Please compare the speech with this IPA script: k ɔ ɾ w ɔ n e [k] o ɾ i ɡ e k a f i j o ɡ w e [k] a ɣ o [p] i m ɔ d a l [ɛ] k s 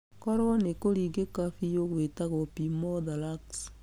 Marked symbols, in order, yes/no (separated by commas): yes, no, yes, no